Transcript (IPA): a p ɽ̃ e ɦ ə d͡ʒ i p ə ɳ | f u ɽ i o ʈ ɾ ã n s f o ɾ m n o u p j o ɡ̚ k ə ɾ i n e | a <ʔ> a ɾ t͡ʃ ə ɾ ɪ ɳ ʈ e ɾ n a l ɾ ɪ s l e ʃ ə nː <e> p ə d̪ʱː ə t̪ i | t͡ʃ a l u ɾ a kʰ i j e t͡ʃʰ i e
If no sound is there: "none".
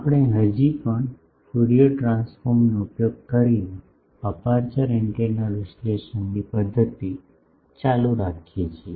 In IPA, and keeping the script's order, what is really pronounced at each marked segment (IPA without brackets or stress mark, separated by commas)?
p, i